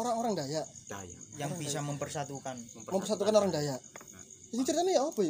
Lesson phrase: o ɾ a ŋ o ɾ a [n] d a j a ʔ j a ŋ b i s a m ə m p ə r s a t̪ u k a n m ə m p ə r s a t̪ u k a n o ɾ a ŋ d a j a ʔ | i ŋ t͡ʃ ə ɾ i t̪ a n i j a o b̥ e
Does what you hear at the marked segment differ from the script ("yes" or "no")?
yes